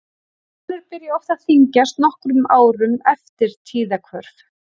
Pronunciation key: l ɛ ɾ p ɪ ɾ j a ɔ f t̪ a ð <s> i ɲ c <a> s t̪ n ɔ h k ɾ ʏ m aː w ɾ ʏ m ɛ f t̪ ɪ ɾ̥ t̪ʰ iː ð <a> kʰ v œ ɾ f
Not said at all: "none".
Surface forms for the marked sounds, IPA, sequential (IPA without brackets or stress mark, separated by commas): θ, a, a